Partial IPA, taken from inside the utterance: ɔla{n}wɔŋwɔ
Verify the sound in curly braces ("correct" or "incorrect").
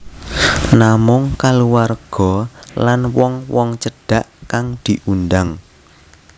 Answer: correct